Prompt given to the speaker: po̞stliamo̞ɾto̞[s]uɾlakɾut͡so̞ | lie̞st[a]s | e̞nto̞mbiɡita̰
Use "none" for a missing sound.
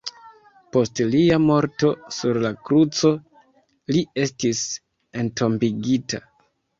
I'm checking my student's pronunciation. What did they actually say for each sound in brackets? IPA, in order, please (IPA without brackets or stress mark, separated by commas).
s, i